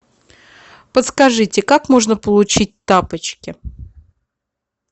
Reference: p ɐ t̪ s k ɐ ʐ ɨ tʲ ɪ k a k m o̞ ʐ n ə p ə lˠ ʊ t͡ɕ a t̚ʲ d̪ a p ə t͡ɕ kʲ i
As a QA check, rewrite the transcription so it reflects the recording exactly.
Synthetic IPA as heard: p ə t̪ s k ɐ ʐ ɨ tʲ ɪ k a k m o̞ ʐ n ə p ə lˠ ʊ t͡ɕ i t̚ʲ t̪ a p ə t͡ɕ kʲ ɪ